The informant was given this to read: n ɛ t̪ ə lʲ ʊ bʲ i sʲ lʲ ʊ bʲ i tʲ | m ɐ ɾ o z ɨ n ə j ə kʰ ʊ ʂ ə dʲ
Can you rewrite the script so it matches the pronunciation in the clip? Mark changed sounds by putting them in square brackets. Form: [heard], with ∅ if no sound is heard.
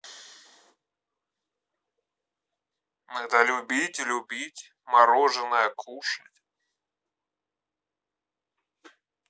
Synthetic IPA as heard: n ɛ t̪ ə lʲ ʊ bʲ i [tʲ] lʲ ʊ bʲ i tʲ | m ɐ ɾ o [ʐ] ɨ n ə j ə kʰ [u] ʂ ə [tʲ]

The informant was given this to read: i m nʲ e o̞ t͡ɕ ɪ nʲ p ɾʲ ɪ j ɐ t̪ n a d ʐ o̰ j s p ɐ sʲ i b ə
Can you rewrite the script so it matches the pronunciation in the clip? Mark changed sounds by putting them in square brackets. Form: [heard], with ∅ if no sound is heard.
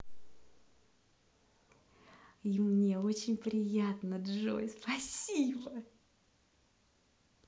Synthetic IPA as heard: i m nʲ e o̞ t͡ɕ ɪ nʲ p ɾʲ ɪ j [a] t̪ n [ə] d ʐ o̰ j s p ɐ sʲ i b ə

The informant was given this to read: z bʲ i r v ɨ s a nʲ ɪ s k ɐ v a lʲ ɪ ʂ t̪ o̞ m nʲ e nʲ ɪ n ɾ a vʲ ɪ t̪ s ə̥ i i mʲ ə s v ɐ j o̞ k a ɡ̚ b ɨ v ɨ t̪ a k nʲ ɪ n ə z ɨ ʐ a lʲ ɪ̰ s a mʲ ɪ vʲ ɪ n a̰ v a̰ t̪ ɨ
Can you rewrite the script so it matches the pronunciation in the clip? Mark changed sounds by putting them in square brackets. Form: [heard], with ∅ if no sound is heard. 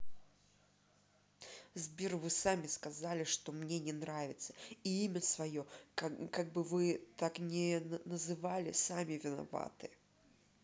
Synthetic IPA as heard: z bʲ i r v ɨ s a [mʲ] ɪ s k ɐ [z] a lʲ ɪ ʂ t̪ o̞ m nʲ e nʲ ɪ n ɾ a vʲ ɪ t̪ s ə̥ i i mʲ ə s v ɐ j o̞ k a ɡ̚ b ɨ v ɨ t̪ a k nʲ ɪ n ə z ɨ [v] a lʲ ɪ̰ s a mʲ ɪ vʲ ɪ n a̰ v a̰ t̪ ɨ

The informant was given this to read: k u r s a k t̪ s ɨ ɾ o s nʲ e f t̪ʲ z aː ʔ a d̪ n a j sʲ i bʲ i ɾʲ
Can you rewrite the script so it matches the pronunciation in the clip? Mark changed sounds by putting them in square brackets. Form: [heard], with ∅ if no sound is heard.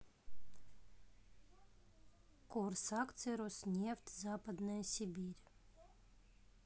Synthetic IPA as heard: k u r s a k t̪ s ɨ ɾ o s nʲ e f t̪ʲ z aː [p] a d̪ n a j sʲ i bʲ i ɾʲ

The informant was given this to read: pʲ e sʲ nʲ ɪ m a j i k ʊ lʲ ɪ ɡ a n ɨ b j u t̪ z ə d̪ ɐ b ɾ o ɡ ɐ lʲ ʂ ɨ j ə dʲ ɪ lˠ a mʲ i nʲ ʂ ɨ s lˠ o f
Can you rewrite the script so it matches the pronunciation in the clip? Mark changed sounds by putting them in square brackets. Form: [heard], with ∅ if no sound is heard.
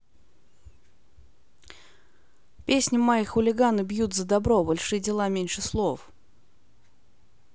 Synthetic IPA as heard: pʲ e sʲ nʲ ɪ m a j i [x] ʊ lʲ ɪ ɡ a n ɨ b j u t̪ z ə d̪ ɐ b ɾ o [b] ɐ lʲ ʂ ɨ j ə dʲ ɪ lˠ a mʲ [e] nʲ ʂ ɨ s lˠ o f

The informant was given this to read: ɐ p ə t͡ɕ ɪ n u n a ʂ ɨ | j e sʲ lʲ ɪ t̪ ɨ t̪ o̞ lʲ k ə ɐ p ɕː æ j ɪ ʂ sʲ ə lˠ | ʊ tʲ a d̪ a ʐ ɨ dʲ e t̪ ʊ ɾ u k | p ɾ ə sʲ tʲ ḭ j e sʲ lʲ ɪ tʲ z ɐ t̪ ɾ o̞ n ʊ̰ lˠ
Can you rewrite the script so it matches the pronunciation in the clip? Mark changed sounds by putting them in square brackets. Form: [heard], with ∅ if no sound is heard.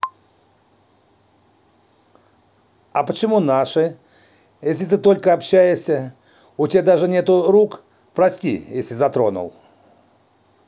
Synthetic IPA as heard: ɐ p ə t͡ɕ ɪ [m] u n a ʂ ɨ | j e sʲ lʲ ɪ t̪ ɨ t̪ o̞ lʲ k ə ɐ p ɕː æ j ɪ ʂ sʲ ə [∅] | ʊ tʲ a d̪ a ʐ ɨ [nʲ] e t̪ ʊ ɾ u k | p ɾ [ɐ] sʲ tʲ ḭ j e sʲ lʲ ɪ [∅] z ɐ t̪ ɾ o̞ n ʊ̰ lˠ

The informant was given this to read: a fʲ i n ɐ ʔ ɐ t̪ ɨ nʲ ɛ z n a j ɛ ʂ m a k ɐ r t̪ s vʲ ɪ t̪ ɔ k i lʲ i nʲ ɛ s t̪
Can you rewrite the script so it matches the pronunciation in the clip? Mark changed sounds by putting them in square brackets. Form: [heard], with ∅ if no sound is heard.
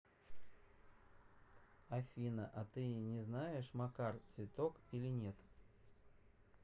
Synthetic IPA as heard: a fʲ i n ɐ ʔ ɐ t̪ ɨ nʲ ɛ z n a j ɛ ʂ m a k [a] r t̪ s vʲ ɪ t̪ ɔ k i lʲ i nʲ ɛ [∅] t̪

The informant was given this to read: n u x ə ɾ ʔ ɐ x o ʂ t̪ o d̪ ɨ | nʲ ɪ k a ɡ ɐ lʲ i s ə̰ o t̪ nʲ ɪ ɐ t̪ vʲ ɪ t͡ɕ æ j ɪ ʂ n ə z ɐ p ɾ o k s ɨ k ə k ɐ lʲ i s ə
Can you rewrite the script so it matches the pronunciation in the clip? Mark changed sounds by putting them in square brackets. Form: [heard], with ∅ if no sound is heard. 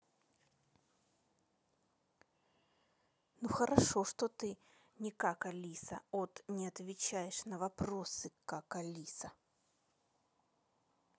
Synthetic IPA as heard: n u x ə ɾ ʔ ɐ [ʂ] o ʂ t̪ o [t̪] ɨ | nʲ ɪ k a [k] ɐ lʲ i s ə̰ o t̪ nʲ ɪ ɐ t̪ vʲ ɪ t͡ɕ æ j ɪ ʂ n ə [v] ɐ p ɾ o [∅] s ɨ k [a] k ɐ lʲ i s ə

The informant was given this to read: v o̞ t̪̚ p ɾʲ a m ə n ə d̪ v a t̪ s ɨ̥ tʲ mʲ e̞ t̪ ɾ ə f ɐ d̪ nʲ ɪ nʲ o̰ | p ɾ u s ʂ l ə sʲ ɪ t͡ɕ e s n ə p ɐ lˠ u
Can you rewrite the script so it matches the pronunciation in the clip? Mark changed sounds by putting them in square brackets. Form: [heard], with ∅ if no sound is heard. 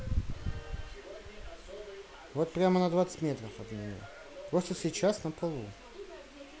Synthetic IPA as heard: v o̞ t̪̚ p ɾʲ a m ə n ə d̪ v a t̪ s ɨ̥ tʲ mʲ e̞ t̪ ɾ ə f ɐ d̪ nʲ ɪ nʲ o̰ | p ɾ [o] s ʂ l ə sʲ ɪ t͡ɕ [a] s n ə p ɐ lˠ u

